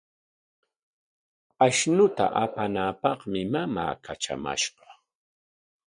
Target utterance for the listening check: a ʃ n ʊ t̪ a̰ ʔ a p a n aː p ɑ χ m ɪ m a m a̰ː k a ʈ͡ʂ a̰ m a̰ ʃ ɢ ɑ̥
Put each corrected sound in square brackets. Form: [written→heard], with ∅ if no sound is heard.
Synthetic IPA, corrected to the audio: a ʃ n ʊ t̪ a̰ ʔ a p a n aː p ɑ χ m ɪ m a m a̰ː k a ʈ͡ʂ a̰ m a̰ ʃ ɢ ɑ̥